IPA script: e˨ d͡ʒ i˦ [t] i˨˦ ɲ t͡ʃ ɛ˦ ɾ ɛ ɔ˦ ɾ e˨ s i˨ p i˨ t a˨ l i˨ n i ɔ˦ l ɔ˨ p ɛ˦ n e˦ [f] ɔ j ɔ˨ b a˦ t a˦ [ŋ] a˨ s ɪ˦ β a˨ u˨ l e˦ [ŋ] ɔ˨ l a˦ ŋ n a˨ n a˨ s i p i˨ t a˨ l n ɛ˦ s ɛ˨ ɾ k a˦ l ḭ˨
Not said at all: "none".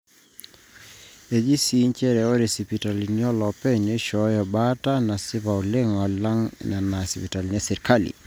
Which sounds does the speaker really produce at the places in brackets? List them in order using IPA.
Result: s, ʃ, n, ŋ

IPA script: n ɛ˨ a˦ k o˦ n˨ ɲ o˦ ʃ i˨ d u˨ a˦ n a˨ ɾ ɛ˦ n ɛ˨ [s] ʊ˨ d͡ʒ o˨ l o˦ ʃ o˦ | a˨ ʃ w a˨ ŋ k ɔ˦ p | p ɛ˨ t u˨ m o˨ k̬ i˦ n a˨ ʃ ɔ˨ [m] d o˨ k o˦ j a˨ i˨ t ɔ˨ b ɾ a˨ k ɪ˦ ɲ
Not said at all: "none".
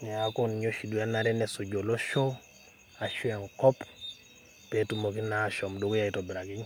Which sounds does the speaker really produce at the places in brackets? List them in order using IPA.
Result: s, m

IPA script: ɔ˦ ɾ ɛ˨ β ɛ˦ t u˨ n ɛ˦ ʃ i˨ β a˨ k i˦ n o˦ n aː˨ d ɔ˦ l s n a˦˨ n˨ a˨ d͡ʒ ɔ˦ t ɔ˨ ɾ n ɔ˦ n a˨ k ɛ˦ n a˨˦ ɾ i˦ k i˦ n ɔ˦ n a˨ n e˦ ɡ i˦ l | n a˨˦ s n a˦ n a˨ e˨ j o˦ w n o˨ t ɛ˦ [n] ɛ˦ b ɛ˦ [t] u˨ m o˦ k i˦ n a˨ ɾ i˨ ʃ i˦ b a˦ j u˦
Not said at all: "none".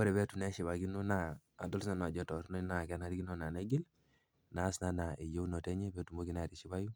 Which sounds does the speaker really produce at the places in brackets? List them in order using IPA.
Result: ɲ, t

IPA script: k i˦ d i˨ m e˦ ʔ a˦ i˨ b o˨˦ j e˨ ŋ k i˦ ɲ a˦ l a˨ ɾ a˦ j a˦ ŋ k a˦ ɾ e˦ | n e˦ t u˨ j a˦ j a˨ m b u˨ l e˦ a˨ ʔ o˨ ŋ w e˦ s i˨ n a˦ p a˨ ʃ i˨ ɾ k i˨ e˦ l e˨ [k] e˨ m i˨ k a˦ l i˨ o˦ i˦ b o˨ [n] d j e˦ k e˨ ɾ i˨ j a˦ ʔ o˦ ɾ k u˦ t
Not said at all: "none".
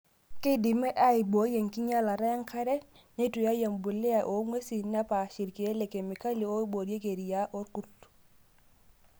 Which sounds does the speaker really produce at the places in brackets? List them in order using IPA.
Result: k, none

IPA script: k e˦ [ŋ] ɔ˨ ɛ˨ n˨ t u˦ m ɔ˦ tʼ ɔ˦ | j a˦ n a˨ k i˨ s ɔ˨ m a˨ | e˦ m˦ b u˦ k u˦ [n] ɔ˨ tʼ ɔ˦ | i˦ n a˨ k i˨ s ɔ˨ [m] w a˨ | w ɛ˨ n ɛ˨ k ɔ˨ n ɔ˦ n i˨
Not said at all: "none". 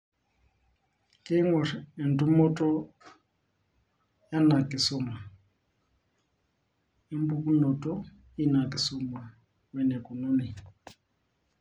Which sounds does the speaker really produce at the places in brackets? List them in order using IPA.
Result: ŋ, n, m

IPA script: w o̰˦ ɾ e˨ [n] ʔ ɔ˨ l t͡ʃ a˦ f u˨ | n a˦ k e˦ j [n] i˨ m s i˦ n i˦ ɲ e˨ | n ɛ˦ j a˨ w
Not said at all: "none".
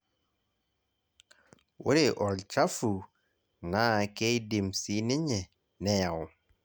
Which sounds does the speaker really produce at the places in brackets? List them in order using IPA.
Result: none, d

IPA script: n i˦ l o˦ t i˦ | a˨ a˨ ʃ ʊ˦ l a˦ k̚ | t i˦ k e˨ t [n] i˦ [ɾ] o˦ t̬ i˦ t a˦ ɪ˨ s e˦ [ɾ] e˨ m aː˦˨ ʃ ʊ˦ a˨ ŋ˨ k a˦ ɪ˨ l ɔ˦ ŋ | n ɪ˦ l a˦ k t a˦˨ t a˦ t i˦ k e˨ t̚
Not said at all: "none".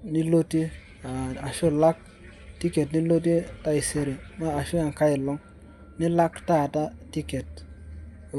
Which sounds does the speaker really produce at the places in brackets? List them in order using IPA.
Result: n, l, ɾ

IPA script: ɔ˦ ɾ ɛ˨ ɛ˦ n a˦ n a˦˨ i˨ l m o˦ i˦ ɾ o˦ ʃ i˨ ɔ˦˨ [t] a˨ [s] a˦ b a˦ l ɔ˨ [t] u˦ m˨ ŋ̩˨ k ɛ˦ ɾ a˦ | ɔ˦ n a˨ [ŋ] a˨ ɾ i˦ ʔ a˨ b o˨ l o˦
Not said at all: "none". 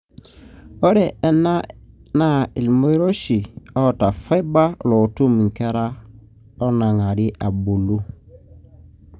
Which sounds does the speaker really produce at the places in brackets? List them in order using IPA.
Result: t, f, t, ŋ

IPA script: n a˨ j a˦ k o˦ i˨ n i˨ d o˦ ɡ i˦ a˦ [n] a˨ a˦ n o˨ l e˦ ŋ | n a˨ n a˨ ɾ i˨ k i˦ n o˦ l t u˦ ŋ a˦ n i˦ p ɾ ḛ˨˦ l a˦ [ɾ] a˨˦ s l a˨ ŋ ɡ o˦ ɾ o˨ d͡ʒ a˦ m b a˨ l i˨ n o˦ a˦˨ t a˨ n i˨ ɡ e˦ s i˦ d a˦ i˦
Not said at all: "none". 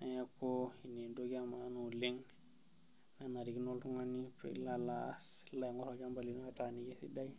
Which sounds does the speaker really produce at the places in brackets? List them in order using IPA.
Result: m, l

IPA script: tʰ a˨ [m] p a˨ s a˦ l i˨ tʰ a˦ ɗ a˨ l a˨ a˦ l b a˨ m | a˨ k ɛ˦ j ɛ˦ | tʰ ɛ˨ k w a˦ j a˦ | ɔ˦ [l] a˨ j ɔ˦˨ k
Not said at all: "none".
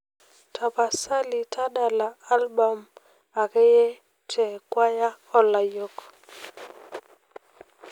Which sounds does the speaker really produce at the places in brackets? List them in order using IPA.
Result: none, l

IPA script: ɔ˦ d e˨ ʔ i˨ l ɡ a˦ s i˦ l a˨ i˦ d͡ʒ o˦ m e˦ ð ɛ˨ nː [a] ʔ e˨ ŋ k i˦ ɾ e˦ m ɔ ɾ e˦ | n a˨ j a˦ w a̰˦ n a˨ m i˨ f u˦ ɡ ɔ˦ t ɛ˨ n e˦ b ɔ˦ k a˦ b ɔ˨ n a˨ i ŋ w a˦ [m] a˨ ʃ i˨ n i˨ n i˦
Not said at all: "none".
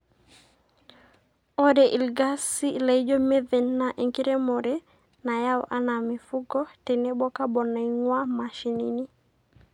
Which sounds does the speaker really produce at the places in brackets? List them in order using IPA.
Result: a, m

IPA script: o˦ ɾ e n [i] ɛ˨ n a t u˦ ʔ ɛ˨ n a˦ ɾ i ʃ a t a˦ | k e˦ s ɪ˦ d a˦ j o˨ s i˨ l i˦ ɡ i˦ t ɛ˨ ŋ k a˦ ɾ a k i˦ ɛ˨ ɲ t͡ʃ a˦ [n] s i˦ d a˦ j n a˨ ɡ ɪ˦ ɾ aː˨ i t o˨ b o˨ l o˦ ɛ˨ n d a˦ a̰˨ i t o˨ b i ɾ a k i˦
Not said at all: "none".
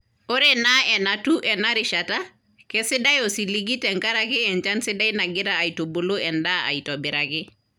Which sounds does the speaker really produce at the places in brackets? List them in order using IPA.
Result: a, n

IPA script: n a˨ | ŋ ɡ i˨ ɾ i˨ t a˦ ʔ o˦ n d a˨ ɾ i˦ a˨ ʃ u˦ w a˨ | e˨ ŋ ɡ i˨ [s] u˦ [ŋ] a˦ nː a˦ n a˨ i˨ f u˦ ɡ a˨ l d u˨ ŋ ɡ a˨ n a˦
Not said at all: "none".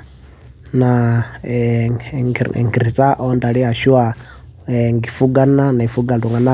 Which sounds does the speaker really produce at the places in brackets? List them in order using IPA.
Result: f, ɡ

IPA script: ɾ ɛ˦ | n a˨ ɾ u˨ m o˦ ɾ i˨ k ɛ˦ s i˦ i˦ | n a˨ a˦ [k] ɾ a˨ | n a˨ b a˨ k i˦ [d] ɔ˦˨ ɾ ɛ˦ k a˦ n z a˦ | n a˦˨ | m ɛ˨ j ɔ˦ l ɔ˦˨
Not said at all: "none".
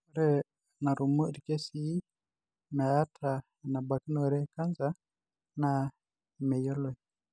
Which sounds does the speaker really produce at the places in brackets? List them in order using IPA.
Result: t, n

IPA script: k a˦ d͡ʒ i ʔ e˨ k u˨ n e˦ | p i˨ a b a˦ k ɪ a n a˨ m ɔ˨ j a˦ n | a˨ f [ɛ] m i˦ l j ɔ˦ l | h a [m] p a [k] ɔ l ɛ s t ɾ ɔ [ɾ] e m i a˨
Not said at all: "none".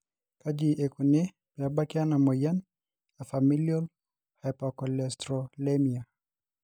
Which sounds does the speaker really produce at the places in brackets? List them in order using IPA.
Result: a, none, k, l

